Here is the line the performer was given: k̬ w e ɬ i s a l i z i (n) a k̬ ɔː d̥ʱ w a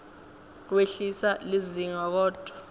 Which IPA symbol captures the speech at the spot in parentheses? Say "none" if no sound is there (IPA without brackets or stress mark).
ŋ